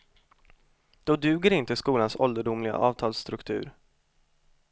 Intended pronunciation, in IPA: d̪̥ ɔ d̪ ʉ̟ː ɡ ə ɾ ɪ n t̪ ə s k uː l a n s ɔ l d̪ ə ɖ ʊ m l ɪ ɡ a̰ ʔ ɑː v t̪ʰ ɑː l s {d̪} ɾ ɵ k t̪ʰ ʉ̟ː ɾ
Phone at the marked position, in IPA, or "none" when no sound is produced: t̪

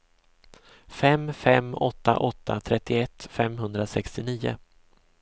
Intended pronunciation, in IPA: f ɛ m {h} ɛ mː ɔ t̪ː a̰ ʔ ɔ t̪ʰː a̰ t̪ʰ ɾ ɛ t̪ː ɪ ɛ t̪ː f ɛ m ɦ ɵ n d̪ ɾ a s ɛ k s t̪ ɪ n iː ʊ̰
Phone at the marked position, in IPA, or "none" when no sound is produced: f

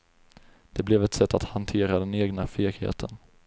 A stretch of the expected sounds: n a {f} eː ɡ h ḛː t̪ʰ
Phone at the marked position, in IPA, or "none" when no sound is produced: f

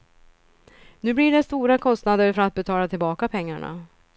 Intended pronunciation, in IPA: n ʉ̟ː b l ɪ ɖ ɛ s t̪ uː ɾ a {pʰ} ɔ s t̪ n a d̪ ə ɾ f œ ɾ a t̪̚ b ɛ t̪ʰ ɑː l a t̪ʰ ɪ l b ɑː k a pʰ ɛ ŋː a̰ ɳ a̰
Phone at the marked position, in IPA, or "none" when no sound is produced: kʰ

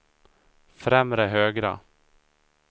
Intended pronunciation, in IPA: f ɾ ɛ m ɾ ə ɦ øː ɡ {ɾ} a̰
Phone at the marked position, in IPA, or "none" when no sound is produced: ɾ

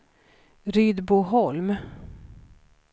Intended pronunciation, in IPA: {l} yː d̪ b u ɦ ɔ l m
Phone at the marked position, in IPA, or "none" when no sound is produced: ɾ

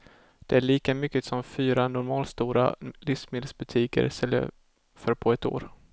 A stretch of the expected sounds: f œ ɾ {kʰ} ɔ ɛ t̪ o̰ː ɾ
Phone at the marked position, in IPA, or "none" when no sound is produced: pʰ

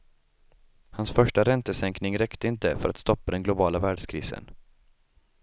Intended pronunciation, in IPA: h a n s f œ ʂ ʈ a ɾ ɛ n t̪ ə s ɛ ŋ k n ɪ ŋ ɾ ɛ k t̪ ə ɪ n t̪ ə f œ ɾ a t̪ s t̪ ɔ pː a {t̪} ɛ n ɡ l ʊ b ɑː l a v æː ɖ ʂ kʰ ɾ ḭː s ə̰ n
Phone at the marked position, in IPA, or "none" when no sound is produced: d̪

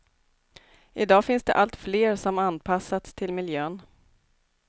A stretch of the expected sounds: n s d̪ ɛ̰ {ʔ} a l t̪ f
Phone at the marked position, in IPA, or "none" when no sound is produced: ʔ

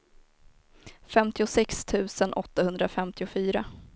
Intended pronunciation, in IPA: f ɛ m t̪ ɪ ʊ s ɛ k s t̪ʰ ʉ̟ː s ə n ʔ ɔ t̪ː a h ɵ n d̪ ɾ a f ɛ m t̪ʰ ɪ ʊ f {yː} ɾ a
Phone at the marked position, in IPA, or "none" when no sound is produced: yː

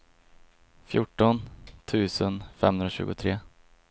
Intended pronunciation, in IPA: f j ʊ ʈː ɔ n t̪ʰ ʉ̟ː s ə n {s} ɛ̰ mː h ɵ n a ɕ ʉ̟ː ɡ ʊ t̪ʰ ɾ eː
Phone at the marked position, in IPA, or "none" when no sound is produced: f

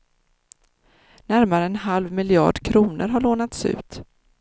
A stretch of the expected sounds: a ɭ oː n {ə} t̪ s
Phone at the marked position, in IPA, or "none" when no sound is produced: a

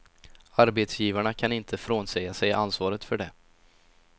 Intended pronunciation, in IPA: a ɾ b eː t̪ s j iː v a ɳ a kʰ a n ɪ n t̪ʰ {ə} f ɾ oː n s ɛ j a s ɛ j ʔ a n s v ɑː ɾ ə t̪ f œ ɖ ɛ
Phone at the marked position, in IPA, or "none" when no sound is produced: ə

